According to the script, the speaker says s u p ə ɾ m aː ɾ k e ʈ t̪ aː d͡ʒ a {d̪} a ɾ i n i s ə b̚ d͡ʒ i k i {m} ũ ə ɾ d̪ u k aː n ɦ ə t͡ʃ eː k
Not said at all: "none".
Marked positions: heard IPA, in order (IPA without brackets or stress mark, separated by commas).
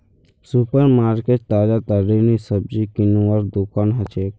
t̪, n